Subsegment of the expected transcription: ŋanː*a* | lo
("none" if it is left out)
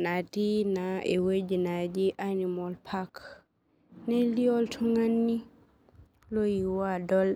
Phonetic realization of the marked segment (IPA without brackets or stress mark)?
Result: i